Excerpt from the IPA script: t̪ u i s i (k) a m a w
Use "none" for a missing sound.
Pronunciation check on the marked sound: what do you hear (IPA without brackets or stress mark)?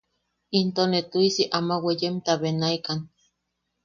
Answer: ʔ